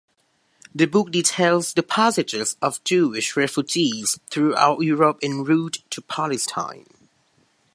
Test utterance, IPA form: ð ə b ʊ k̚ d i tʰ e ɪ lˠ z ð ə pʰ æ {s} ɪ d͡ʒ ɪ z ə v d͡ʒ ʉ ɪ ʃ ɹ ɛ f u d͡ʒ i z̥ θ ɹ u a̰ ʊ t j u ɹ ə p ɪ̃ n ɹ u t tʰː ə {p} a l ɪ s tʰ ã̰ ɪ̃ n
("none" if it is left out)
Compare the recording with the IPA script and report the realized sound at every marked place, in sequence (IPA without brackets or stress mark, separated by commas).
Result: s, pʰ